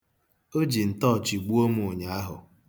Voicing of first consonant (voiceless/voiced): voiced